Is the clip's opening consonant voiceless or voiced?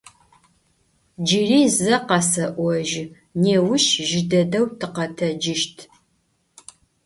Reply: voiced